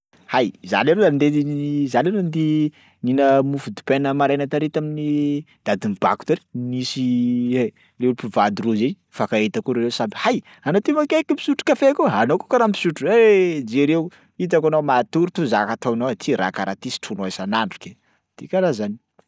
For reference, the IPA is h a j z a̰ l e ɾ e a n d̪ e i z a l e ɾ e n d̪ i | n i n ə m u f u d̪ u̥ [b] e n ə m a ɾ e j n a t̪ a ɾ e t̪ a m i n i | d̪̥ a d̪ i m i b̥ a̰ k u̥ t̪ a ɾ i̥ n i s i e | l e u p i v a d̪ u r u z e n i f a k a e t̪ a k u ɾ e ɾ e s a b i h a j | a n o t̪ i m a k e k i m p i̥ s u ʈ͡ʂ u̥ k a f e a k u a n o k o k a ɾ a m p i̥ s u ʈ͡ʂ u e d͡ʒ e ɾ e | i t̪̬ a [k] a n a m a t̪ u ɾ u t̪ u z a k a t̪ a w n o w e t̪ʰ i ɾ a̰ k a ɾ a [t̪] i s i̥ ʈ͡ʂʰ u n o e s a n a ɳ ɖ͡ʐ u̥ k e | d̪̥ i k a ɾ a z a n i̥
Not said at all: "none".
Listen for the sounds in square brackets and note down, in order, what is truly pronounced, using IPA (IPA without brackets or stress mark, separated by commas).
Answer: p, k, t̪